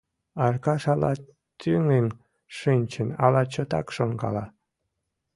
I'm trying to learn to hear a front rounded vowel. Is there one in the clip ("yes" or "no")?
yes